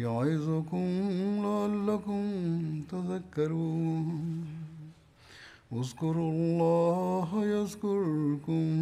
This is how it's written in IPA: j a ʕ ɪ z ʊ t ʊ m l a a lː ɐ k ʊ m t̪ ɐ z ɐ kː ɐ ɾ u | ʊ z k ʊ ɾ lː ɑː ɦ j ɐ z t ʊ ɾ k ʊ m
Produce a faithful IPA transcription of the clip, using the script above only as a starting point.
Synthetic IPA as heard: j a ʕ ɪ z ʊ k ʊ m l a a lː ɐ k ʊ m t̪ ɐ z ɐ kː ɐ ɾ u | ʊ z k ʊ ɾ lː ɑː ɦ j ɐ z k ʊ ɾ k ʊ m